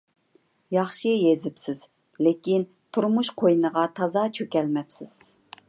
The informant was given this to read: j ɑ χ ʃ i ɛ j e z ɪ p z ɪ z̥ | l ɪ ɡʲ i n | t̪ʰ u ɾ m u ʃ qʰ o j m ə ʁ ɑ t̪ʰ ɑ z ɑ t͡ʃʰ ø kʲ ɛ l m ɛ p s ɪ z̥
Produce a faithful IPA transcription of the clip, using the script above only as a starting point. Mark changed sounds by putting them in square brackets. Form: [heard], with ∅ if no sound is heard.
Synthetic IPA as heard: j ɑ χ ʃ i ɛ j e z ɪ p [s] ɪ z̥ | l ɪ [kʲ] i n | t̪ʰ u ɾ m u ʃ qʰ o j [n] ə ʁ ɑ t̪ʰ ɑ z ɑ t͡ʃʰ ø kʲ ɛ l m ɛ p s ɪ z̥